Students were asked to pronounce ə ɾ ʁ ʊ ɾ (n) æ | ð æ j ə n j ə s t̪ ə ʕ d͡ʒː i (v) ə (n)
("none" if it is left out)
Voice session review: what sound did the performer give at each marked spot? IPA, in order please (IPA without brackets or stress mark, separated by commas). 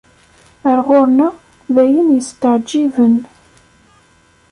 n, v, n